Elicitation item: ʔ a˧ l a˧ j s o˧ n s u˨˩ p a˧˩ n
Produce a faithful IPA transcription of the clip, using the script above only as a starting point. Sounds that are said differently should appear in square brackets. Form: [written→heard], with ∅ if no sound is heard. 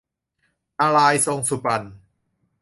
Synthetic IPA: ʔ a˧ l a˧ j s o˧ [n→ŋ] s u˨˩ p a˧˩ n